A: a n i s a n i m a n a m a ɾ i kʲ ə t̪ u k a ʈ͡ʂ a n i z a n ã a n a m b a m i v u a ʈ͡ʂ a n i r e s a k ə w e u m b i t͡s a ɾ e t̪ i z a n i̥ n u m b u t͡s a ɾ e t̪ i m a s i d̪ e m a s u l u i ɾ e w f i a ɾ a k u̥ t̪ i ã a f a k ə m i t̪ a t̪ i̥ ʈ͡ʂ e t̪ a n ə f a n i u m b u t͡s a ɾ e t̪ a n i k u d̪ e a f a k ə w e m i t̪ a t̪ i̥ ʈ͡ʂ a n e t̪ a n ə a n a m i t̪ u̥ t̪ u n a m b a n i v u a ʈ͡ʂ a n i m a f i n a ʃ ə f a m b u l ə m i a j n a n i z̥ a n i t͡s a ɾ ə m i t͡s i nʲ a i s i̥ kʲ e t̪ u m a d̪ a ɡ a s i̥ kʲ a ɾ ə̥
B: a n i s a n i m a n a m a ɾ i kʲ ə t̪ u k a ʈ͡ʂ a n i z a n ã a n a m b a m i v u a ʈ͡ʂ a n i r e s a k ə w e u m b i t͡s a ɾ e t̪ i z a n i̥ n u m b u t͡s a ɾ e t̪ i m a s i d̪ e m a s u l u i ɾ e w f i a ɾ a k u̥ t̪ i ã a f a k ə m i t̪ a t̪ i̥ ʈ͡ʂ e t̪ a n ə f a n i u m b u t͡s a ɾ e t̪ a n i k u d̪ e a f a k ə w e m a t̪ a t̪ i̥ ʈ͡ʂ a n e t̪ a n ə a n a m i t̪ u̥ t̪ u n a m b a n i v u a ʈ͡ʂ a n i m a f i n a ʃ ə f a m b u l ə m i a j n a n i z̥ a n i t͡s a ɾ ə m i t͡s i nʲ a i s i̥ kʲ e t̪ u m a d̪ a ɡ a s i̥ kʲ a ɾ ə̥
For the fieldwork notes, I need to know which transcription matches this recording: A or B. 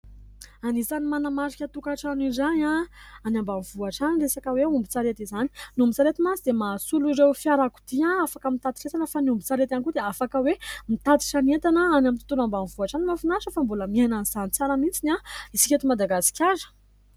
A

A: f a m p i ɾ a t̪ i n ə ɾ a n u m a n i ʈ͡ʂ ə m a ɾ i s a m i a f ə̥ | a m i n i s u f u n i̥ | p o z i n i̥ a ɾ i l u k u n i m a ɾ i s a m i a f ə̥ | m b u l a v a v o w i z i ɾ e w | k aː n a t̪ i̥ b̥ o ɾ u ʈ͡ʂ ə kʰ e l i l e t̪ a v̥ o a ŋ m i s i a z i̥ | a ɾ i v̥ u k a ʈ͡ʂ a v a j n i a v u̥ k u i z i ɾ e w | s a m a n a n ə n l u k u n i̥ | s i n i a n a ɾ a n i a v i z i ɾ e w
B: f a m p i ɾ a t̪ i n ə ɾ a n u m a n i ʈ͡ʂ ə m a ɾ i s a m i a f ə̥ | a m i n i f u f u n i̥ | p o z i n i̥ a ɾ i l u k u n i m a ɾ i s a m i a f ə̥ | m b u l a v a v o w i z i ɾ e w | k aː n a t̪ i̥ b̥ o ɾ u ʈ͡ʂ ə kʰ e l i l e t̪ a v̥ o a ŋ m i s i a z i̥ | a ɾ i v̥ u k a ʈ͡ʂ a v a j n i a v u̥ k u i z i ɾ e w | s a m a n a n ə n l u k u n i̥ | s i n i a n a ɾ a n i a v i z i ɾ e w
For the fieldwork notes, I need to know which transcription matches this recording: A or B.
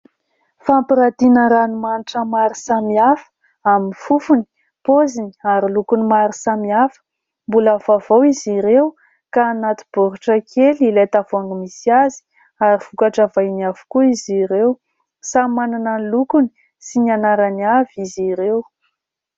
B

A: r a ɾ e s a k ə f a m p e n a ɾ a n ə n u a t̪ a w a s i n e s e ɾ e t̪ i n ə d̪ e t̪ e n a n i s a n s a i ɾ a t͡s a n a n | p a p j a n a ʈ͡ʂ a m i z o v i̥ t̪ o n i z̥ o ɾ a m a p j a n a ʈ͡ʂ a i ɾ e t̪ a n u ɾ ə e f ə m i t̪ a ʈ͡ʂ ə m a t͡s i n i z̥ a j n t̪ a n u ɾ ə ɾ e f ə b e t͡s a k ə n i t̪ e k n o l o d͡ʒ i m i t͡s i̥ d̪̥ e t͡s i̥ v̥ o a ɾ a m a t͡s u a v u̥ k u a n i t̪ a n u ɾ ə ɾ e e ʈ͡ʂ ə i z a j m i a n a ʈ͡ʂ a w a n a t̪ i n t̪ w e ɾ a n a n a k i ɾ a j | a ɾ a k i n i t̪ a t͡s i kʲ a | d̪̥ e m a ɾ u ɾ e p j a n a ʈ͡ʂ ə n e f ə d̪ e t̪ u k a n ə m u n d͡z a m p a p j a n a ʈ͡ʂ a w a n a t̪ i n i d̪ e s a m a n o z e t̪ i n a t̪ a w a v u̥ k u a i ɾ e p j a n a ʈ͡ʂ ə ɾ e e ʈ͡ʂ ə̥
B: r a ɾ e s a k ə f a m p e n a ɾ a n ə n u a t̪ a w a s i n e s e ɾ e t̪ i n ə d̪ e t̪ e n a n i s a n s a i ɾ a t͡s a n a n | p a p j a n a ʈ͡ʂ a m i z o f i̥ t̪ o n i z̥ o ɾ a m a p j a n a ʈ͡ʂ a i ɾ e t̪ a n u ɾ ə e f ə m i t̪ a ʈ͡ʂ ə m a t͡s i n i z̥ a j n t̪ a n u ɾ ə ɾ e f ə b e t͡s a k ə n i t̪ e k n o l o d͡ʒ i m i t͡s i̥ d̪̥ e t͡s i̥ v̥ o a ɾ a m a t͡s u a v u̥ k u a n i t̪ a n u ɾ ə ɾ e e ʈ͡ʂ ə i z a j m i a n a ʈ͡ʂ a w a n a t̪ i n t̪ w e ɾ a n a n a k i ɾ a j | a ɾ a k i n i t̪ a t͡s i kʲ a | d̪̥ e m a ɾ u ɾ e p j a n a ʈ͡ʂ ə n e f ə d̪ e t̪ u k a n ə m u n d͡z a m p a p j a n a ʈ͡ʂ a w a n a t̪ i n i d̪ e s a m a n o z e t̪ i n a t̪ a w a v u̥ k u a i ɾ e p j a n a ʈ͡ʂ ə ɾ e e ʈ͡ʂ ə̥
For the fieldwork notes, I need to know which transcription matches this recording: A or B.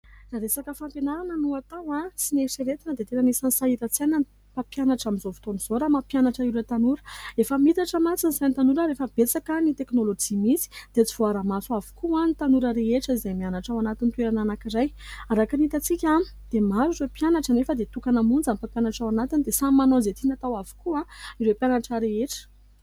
A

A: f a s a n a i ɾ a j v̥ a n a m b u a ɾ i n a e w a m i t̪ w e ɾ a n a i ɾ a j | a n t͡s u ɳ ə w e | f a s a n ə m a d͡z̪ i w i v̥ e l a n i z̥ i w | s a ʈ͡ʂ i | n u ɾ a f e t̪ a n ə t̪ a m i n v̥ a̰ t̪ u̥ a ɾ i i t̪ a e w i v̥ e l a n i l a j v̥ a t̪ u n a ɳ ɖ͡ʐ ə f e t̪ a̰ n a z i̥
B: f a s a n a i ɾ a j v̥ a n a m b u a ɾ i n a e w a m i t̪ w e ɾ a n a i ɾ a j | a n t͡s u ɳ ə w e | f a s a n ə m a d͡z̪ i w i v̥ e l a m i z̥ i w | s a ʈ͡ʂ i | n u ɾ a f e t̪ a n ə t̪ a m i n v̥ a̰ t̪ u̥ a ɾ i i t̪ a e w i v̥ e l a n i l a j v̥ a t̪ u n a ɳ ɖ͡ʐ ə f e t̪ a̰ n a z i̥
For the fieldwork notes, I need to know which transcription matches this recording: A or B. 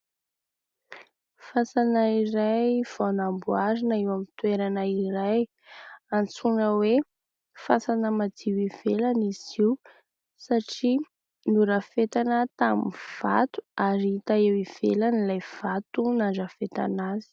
A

